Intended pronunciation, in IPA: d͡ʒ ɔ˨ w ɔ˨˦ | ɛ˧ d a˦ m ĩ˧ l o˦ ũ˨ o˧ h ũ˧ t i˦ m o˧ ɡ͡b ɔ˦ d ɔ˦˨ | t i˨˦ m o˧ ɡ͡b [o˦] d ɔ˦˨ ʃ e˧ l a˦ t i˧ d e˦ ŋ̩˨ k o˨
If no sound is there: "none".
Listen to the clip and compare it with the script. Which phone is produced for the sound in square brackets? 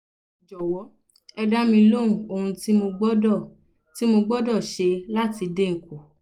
ɔ˦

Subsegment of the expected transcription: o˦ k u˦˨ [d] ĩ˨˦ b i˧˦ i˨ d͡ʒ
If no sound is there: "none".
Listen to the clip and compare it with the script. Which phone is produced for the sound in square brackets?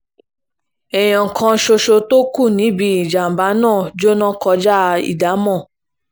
n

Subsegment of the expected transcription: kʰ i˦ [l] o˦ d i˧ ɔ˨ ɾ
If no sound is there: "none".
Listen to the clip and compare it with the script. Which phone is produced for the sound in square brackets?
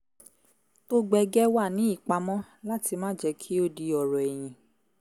none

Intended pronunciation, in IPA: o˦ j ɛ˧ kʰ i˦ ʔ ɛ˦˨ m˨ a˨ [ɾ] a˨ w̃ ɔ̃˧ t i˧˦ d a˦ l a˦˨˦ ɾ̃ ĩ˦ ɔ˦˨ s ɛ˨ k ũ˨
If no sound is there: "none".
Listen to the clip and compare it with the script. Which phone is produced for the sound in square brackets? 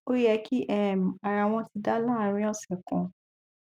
ɾ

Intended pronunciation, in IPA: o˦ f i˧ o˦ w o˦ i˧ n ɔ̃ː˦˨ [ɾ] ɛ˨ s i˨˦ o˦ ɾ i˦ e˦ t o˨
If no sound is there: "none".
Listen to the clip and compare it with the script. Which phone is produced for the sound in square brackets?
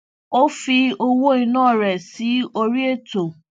ɾ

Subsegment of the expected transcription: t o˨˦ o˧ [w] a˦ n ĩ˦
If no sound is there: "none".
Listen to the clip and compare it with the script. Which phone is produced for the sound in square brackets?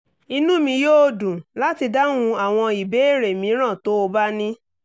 b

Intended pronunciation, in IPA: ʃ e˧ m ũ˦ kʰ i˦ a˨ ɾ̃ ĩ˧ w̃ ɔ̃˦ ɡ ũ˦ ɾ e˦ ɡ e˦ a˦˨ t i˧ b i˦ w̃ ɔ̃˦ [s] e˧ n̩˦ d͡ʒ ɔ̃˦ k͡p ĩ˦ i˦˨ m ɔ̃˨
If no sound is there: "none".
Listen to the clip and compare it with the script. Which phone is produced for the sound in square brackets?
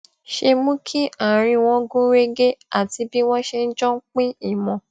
ʃ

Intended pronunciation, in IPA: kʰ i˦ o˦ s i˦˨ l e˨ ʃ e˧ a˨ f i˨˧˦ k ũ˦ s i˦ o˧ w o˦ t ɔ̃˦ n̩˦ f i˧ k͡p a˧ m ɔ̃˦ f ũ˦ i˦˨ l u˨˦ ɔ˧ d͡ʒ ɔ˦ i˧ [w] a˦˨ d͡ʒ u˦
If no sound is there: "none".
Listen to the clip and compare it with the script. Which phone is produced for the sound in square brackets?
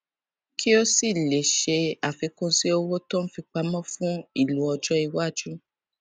w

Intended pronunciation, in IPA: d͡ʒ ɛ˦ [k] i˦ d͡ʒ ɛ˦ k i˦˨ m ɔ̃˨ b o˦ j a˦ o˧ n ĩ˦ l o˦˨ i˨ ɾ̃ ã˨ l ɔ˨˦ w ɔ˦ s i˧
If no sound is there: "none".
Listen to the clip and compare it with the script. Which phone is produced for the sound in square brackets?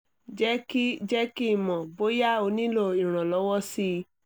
k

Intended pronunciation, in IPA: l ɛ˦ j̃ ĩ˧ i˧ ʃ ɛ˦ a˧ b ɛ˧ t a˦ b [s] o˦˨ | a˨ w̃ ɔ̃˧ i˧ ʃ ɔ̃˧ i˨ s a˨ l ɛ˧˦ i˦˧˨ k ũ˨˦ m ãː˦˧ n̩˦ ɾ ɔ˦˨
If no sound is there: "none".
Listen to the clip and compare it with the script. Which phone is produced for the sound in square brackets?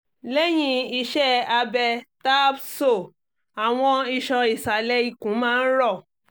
s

